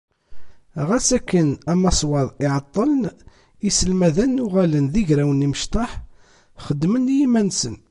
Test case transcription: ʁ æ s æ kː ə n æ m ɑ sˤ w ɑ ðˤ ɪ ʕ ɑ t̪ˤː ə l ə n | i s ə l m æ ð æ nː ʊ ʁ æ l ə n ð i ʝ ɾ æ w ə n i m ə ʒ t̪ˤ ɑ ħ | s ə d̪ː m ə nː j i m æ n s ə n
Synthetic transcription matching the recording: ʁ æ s æ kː ə n æ m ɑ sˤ w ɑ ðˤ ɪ ʕ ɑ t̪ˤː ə l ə n | i s ə l m æ ð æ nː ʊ ʁ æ l ə n ð i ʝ ɾ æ w ə n i m ə ʃ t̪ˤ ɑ ħ | χ ə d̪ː m ə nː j i m æ n s ə n

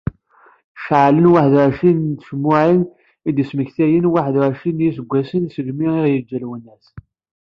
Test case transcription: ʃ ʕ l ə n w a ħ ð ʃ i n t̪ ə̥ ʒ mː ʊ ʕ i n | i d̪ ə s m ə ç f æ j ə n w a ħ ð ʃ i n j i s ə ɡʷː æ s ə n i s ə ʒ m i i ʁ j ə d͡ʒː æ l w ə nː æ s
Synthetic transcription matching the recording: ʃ ʕ l ə n w a ħ ð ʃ i n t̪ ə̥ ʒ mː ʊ ʕ i n | i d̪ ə s m ə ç θ æ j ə n w a ħ ð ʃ i n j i s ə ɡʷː æ s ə n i s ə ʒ m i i ʁ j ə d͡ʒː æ l w ə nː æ s

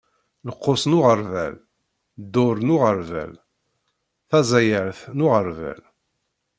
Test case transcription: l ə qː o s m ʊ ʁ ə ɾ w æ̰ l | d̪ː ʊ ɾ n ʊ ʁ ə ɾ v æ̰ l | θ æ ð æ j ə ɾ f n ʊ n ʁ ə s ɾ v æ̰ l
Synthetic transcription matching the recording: l ə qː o s n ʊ ʁ ə ɾ v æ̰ l | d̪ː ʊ ɾ n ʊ ʁ ə ɾ v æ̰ l | θ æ z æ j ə ɾ θ n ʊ ʁ ə ɾ v æ̰ l

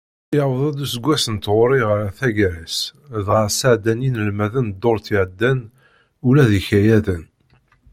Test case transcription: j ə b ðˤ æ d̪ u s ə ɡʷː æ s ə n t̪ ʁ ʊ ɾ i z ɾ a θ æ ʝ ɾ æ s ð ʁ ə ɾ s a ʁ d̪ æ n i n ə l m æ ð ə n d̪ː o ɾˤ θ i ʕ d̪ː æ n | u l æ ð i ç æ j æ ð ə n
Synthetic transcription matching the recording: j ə w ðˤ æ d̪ u s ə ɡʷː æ s ə n t̪ ʁ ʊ ɾ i ʁ ɾ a θ æ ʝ ɾ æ s ð ʁ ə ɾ s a ʕ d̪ æ n i n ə l m æ ð ə n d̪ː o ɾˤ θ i ʕ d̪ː æ n | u l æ ð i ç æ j æ ð ə n

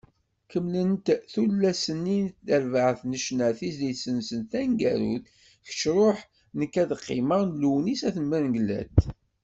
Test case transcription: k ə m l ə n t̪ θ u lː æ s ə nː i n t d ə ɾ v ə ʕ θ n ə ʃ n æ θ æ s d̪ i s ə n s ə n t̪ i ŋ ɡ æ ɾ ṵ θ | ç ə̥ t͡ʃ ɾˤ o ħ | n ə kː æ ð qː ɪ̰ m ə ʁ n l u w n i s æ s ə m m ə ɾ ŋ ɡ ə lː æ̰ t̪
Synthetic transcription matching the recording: k ə m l ə n t̪ θ u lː æ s ə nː i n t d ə ɾ v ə ʕ θ n ə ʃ n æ θ i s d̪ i s ə n s ə n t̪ æ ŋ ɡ æ ɾ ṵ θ | ç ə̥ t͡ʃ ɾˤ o ħ | n ə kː æ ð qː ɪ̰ m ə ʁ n l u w n i s æ θ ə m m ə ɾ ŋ ɡ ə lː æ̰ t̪

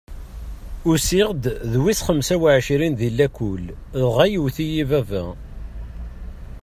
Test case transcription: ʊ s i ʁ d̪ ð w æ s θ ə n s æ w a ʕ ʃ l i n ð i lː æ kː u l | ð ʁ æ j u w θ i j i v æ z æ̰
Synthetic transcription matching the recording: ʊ s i ʁ d̪ ð w i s χ ə m s æ w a ʕ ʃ ɾ i n ð i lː æ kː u l | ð ʁ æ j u w θ i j i v æ v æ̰

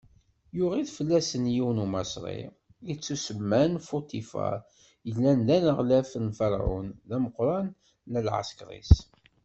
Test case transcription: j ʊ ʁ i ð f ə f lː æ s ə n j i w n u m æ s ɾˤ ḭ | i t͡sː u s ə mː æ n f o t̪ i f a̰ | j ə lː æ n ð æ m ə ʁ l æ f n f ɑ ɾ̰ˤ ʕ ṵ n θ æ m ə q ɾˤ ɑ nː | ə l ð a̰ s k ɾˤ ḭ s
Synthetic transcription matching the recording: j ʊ ʁ i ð f ə lː æ s ə n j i w n u m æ s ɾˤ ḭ | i t͡sː u s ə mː æ n f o t̪ i f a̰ | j ə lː æ n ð æ n ə ʁ l æ f n f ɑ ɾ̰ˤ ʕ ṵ n ð æ m ə q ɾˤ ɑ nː | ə l ʕ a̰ s k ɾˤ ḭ s

